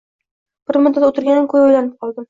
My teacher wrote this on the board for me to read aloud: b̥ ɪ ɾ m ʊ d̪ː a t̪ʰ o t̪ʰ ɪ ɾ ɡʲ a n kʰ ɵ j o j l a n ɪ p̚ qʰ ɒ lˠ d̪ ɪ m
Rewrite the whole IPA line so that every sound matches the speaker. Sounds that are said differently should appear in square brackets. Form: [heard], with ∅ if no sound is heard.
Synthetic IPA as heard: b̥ ɪ ɾ m ʊ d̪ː a [t̪] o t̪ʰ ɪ ɾ ɡʲ a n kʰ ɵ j o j l a n ɪ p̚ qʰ ɒ lˠ d̪ ɪ m

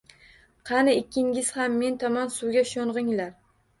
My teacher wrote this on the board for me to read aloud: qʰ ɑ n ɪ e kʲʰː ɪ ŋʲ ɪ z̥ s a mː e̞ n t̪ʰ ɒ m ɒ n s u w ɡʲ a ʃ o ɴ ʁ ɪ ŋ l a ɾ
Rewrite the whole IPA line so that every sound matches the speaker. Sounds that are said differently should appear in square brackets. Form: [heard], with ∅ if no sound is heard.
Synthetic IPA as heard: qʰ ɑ n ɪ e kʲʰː ɪ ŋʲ ɪ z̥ [h] a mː e̞ n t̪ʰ ɒ m ɒ n s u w ɡʲ a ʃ o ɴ ʁ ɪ ŋ l a ɾ

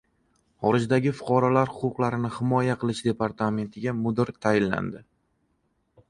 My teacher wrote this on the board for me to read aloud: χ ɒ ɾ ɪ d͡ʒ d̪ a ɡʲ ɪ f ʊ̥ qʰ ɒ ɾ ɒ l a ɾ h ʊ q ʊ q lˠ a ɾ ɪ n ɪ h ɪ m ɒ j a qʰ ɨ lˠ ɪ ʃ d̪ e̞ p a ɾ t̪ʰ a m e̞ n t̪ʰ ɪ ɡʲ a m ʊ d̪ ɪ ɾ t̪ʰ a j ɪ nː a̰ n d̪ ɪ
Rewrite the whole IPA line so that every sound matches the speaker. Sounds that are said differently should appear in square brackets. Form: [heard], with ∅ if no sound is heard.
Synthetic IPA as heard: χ ɒ ɾ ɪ d͡ʒ d̪ a ɡʲ ɪ f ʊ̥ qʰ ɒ ɾ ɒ l a ɾ h ʊ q ʊ q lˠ a ɾ ɪ n ɪ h ɪ m ɒ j a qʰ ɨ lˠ ɪ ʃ d̪ e̞ p a ɾ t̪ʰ a m e̞ n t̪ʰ ɪ ɡʲ a m ʊ d̪ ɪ ɾ t̪ʰ a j ɪ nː a̰ n d̪ ɪ

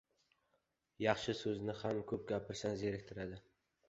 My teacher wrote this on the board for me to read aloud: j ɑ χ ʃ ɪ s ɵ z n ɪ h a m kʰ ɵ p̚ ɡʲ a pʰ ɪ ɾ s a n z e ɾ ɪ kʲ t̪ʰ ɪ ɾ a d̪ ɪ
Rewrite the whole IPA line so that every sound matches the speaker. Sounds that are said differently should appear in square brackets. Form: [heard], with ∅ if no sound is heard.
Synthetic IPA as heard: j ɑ χ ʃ ɪ s ɵ z n ɪ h a m kʰ ɵ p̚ ɡʲ a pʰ ɪ ɾ s a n z e ɾ ɪ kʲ t̪ʰ ɪ ɾ a d̪ ɪ

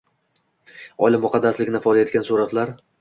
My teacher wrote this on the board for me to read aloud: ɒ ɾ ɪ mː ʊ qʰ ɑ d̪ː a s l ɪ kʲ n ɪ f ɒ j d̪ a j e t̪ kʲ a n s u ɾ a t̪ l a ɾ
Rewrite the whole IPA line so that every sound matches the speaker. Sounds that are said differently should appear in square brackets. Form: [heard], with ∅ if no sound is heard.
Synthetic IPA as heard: ɒ [l] ɪ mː ʊ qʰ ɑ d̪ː a s l ɪ kʲ n ɪ f ɒ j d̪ a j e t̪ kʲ a n s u ɾ a t̪ l a ɾ

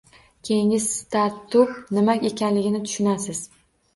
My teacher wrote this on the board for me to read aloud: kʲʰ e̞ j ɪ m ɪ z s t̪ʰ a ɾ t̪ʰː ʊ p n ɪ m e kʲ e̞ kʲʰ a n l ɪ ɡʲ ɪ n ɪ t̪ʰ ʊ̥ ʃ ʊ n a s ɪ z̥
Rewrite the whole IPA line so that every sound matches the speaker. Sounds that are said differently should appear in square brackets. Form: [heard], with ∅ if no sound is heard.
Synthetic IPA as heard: kʲʰ e̞ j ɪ [ŋ] ɪ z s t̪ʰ a ɾ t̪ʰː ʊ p n ɪ m [a] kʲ e̞ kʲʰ a n l ɪ ɡʲ ɪ n ɪ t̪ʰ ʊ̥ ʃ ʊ n a s ɪ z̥

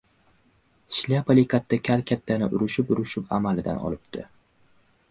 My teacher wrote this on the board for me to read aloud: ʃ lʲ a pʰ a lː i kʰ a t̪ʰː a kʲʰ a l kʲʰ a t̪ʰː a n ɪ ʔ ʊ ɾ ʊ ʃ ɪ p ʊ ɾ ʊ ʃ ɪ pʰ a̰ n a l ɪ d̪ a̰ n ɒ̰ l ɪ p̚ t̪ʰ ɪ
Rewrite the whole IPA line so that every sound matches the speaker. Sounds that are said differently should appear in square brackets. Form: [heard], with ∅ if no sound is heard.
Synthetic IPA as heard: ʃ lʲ a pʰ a [l] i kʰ a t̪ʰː a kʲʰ a l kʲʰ a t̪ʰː a n ɪ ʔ ʊ ɾ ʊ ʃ ɪ p ʊ ɾ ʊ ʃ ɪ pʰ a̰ [m] a l ɪ d̪ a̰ n ɒ̰ l ɪ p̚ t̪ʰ ɪ

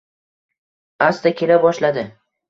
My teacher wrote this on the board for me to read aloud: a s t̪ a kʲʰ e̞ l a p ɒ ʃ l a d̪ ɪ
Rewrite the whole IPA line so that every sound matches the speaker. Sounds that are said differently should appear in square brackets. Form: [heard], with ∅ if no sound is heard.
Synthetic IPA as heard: a s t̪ a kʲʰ e̞ l a [b] ɒ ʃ l a d̪ ɪ

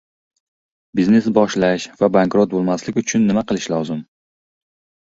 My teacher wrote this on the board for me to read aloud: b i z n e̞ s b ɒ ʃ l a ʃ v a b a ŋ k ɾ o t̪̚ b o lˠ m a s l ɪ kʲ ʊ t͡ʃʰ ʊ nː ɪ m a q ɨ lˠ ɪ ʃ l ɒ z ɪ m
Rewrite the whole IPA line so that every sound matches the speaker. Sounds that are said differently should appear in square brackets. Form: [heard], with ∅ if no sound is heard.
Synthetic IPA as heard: b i z n e̞ s b ɒ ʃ l a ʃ v a b a ŋ k ɾ o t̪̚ b o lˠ m a s l ɪ kʲ ʊ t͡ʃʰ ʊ nː ɪ m a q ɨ lˠ ɪ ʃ l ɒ z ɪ m

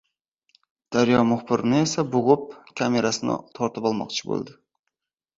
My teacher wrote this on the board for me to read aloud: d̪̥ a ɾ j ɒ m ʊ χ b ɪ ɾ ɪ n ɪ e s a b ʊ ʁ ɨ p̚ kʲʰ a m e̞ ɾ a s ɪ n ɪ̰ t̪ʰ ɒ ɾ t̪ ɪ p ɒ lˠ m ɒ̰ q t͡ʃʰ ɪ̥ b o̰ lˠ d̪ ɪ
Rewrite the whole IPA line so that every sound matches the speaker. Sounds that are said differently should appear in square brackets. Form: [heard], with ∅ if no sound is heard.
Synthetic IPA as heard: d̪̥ a ɾ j ɒ m ʊ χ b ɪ ɾ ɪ n ɪ e s a b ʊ ʁ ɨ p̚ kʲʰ a m e̞ ɾ a s ɪ n ɪ̰ t̪ʰ ɒ ɾ t̪ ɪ p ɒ lˠ m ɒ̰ q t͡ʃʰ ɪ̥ b o̰ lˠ d̪ ɪ

